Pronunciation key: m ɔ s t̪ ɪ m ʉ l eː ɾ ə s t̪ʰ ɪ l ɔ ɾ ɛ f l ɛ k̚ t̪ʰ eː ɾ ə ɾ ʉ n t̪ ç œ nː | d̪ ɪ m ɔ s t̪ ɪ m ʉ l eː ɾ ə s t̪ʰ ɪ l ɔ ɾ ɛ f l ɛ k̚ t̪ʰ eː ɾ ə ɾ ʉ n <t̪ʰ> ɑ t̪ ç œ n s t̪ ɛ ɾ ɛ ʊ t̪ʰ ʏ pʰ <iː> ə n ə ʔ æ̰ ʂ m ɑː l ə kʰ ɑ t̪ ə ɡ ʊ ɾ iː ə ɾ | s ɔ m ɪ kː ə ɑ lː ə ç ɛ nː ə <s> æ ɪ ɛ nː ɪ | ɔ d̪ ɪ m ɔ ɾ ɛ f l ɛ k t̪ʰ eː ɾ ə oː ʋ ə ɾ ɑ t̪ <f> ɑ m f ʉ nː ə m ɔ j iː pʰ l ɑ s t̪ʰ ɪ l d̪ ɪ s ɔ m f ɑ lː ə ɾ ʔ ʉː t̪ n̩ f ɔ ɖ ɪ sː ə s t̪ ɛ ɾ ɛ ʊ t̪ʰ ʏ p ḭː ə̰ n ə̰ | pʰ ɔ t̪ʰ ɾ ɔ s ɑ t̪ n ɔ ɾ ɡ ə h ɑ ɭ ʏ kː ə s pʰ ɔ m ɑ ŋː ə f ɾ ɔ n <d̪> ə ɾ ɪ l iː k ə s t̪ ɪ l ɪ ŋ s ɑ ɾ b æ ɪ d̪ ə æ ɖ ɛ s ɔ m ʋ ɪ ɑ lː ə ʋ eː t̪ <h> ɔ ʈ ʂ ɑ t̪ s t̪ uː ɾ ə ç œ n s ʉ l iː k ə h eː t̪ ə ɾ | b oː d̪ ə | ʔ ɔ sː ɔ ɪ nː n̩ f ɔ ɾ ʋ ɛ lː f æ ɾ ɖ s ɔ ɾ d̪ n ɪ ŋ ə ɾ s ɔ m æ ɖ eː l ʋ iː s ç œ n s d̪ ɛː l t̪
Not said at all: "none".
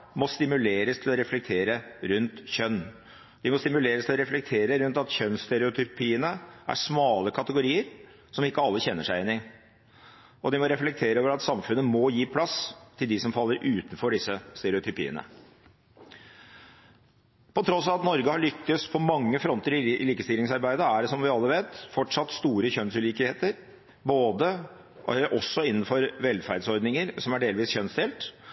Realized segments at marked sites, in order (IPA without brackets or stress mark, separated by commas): t̪, iː, ʂ, s, t̪, f